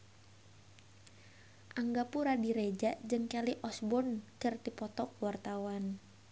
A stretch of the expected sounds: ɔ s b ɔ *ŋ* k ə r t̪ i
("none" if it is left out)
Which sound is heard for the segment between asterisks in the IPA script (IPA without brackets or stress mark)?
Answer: n